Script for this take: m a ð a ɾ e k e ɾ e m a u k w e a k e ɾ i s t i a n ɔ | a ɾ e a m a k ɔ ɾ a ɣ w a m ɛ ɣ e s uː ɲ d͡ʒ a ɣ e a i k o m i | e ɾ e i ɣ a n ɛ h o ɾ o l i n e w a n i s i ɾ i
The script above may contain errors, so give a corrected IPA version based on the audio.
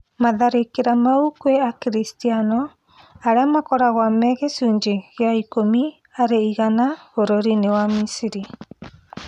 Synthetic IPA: m a ð a ɾ e k e ɾ a m a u k w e a k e ɾ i s t i a n ɔ | a ɾ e a m a k ɔ ɾ a ɣ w a m ɛ ɣ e s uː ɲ d͡ʒ e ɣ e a i k o m i | a ɾ e i ɣ a n a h o ɾ o ɾ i n e w a m i s i ɾ i

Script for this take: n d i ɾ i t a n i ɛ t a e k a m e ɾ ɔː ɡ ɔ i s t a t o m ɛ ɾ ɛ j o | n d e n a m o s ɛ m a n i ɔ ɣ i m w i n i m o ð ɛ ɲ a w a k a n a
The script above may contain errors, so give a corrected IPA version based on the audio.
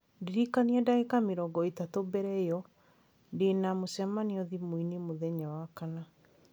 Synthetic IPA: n d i ɾ i k a n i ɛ d a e k a m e ɾ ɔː ɡ ɔ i t a t o b ɛ ɾ ɛ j ɔ | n d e n a m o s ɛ m a n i ɔ ð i m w i n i m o ð ɛ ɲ a w a k a n a

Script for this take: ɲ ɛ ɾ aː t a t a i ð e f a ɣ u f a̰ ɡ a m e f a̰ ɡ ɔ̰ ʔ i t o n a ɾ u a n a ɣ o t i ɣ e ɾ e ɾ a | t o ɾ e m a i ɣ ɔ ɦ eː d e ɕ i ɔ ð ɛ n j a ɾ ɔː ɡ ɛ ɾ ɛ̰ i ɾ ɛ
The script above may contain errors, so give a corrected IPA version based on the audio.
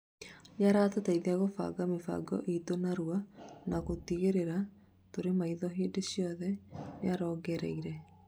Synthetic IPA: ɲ a ɾ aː t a t a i ð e a ɣ o f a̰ ɡ a m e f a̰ ɡ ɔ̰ ʔ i t o n a ɾ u a n a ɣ o t i ɣ e ɾ e ɾ a | t o ɾ e m a i ð ɔ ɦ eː d e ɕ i ɔ ð ɛ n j a ɾ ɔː ɡ ɛ ɾ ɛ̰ i ɾ ɛ

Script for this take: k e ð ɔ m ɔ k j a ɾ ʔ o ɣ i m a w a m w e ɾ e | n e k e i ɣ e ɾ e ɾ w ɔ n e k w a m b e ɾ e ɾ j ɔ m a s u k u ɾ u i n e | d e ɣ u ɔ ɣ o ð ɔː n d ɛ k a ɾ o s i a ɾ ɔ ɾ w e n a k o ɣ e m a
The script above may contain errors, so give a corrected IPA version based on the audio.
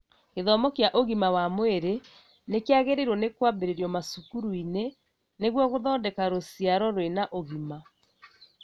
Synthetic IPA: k e ð ɔ m ɔ k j a ʔ o ɣ i m a w a m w e ɾ e | n e k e a ɣ e ɾ e ɾ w ɔ n e k w a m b e ɾ e ɾ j ɔ m a s u k u ɾ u i n e | n e ɣ w ɔ ɣ o ð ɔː n d ɛ k a ɾ o s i a ɾ ɔ ɾ w e n a ʔ o ɣ i m a

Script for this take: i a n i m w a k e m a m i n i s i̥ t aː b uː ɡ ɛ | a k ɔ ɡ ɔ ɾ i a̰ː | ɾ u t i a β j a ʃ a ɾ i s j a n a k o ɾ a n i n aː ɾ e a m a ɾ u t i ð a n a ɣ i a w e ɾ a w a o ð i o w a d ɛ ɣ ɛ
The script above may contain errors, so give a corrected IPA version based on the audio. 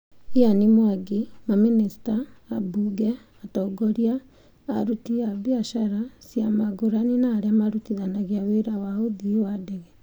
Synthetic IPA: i a n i m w a ɡ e m a m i n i s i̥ t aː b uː ɡ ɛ | a t ɔ ɡ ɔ ɾ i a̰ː | ɾ u t i a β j a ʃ a ɾ a s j a m a ɡ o ɾ a n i n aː ɾ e a m a ɾ u t i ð a n a ɣ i a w e ɾ a w a o ð i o w a d ɛ ɣ ɛ

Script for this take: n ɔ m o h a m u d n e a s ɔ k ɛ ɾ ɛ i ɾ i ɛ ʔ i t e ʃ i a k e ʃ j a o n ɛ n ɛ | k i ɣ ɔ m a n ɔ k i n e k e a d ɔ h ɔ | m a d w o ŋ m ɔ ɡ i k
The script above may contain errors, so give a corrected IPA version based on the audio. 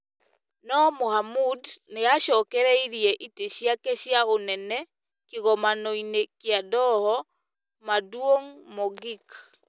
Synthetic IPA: n ɔ m o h a m u d n e a ʃ ɔ k ɛ ɾ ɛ i ɾ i ɛ ʔ i t e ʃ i a k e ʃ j a o n ɛ n ɛ | k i ɣ ɔ m a n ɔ i n e k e a d ɔ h ɔ | m a d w o ŋ m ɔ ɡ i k

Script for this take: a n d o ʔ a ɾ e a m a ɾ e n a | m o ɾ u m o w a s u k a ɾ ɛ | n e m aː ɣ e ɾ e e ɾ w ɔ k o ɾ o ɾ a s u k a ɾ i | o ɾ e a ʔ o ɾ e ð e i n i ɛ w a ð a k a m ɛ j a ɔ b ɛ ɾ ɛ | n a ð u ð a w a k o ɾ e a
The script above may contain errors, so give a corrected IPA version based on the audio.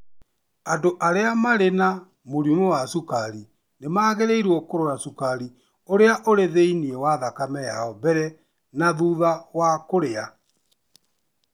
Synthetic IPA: a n d o ʔ a ɾ e a m a ɾ e n a | m o ɾ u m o w a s u k a ɾ i | n e m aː ɣ e ɾ e i ɾ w ɔ k o ɾ o ɾ a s u k a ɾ i | o ɾ e a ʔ o ɾ e ð e i n i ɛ w a ð a k a m ɛ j a ɔ b ɛ ɾ ɛ | n a ð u ð a w a k o ɾ e a

